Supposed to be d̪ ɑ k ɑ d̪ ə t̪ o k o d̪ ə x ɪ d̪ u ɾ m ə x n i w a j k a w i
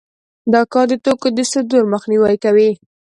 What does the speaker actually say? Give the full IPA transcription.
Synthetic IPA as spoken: d̪ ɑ k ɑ d̪ ə t̪ o k o d̪ ə s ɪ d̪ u ɾ m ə x n i w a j k a w i